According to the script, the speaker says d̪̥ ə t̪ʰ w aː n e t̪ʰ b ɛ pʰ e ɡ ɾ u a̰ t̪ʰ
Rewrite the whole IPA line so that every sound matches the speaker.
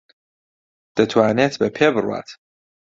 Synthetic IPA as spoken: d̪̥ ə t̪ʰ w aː n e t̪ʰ b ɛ pʰ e b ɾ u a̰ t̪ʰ